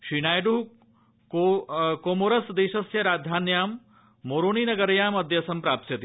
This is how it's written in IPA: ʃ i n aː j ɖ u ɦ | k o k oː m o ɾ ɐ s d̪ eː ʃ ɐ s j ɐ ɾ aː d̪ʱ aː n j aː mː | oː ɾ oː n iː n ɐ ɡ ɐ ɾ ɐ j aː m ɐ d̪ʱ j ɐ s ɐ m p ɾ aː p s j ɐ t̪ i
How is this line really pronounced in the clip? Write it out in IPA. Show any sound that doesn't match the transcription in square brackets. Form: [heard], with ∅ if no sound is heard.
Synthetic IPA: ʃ i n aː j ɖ u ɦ | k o k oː m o ɾ ɐ s d̪ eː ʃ ɐ s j ɐ ɾ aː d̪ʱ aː n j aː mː | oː ɾ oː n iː n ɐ ɡ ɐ ɾ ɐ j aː m ɐ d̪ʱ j ɐ s ɐ m p ɾ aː p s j ɐ t̪ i